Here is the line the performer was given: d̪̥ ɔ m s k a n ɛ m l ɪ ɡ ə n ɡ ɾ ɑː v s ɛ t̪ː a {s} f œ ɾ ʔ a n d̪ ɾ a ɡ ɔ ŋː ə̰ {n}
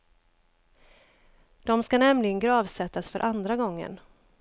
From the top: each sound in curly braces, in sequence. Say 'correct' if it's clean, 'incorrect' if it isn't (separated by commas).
correct, correct